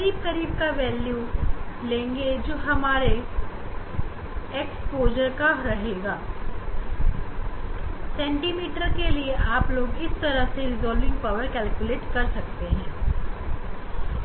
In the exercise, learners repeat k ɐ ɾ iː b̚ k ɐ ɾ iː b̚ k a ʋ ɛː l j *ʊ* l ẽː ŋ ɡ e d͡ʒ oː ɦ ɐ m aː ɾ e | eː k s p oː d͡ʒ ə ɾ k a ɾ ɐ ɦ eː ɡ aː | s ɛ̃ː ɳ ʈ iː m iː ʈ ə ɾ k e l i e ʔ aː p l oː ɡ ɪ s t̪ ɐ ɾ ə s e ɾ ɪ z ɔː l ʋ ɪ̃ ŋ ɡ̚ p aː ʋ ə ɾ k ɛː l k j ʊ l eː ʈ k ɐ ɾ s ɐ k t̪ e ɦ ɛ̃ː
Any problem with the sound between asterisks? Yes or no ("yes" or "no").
yes